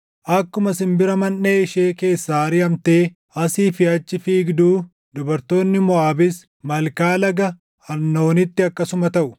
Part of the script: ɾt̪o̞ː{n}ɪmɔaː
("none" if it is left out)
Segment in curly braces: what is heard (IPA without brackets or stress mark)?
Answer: nː